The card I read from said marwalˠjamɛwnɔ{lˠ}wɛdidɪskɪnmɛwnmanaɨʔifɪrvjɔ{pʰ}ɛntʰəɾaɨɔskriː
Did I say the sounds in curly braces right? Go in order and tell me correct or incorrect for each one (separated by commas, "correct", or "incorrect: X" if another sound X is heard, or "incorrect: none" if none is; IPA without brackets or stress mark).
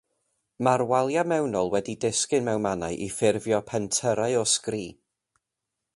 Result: correct, correct